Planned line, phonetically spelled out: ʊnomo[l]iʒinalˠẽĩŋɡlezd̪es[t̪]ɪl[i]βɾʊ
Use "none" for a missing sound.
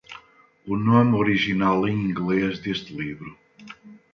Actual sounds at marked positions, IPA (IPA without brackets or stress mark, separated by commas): ɾ, t̪, i